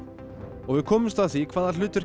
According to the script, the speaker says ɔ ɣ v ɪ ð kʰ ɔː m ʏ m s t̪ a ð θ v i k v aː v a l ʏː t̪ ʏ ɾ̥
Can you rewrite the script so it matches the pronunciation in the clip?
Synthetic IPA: ɔ ɣ v ɪ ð kʰ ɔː m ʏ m s t̪ a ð θ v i kʰ v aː ð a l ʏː t̪ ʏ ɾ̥